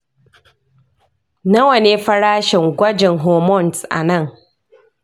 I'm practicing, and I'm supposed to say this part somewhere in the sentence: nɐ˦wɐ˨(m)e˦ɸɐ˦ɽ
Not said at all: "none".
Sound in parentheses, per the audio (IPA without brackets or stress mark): n